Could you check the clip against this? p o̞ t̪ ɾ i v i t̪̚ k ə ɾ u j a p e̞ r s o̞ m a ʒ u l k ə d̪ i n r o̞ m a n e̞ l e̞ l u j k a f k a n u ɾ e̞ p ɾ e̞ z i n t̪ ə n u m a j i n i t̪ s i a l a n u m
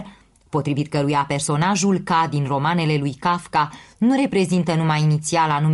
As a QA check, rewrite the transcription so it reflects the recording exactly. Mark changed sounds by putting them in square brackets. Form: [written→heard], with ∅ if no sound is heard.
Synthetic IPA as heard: p o̞ t̪ ɾ i v i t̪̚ k ə ɾ u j a p e̞ r s o̞ [m→n] a ʒ u l k [ə→a] d̪ i n r o̞ m a n e̞ l e̞ l u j k a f k a n u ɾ e̞ p ɾ e̞ z i n t̪ ə n u m a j i n i t̪ s i a l a n u m